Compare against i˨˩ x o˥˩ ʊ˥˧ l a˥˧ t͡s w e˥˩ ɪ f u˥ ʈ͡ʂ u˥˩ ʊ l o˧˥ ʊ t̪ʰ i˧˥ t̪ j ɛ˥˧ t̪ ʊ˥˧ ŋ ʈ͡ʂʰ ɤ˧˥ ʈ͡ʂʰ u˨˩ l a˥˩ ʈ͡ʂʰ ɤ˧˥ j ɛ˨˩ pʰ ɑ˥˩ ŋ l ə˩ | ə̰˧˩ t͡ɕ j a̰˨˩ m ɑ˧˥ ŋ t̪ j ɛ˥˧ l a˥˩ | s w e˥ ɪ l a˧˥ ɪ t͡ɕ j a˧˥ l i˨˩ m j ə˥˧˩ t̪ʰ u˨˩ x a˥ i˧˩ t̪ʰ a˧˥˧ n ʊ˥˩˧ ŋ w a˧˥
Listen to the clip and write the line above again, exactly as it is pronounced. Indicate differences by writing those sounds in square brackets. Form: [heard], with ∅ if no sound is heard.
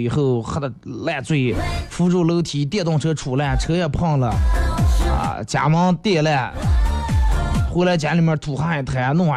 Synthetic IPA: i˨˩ x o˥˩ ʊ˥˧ l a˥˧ t͡s w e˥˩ ɪ f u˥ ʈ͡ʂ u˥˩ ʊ l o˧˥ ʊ t̪ʰ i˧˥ t̪ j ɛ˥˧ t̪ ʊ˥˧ ŋ ʈ͡ʂʰ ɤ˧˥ ʈ͡ʂʰ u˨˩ l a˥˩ ʈ͡ʂʰ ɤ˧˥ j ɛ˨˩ pʰ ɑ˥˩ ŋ l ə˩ | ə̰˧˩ t͡ɕ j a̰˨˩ m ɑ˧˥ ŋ t̪ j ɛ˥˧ l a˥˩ | [x] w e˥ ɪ l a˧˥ ɪ t͡ɕ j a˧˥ l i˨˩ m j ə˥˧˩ t̪ʰ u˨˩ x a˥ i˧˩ t̪ʰ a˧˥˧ n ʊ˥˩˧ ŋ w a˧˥